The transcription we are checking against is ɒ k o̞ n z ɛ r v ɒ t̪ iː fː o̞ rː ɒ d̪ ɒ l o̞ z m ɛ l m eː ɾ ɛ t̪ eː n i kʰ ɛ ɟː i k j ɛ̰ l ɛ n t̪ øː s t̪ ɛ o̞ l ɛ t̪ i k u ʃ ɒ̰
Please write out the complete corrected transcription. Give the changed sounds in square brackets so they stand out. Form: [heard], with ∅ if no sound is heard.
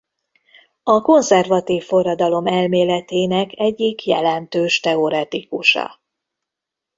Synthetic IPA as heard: ɒ k o̞ n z ɛ r v ɒ t̪ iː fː o̞ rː ɒ d̪ ɒ l o̞ [∅] m ɛ l m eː [l] ɛ t̪ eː n [ɛ] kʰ ɛ ɟː i k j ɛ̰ l ɛ n t̪ øː [ʃ] t̪ ɛ o̞ [ɾ] ɛ t̪ i k u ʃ ɒ̰